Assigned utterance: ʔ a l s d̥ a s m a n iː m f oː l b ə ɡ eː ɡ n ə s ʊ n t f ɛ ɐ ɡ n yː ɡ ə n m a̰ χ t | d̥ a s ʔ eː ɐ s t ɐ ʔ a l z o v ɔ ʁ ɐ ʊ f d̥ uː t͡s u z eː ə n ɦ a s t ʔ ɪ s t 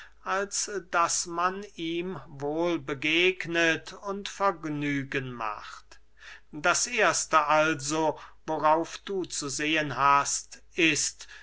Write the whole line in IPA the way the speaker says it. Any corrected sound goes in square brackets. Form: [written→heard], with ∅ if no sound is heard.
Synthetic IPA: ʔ a l s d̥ a s m a n iː m [f→v] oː l b ə ɡ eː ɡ n ə [s→t] ʊ n t f ɛ ɐ ɡ n yː ɡ ə n m a̰ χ t | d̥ a s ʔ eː ɐ s t [ɐ→ə] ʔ a l z o v [ɔ→o] ʁ [ɐ→a] ʊ f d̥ uː t͡s u z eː ə n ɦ a s t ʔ ɪ s t